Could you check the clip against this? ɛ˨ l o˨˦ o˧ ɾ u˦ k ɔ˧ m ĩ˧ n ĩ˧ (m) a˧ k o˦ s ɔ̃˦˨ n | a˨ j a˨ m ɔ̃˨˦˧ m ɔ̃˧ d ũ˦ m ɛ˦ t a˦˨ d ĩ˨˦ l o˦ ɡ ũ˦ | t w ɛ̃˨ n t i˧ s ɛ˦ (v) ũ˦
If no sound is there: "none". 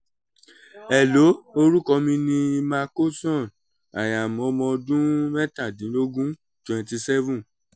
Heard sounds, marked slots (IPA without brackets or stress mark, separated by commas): m, v